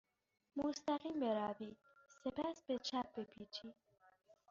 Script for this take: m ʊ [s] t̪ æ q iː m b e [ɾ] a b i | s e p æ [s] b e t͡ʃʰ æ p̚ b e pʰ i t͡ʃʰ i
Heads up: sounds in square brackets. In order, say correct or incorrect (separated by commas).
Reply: correct, correct, correct